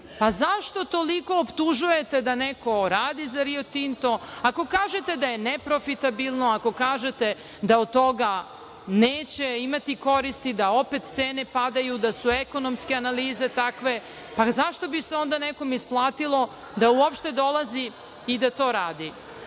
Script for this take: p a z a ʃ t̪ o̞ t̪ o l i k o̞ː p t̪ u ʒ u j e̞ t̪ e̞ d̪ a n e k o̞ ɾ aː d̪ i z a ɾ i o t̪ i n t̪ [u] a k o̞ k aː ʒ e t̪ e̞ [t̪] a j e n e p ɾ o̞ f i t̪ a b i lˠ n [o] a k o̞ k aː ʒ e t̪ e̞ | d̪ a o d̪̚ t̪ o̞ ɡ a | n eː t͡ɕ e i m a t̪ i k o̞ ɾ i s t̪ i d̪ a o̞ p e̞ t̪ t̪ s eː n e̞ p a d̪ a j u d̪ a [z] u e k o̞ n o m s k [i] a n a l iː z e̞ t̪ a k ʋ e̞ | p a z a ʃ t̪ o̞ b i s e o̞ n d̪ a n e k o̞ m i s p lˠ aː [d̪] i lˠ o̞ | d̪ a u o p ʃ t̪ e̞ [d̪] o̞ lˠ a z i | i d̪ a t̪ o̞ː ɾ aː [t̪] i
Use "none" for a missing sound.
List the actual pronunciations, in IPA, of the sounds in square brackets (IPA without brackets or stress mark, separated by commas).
o, d̪, o, s, e, t̪, d̪, d̪